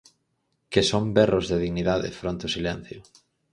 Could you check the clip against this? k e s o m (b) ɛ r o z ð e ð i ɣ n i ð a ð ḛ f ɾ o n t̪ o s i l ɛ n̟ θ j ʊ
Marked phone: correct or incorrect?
correct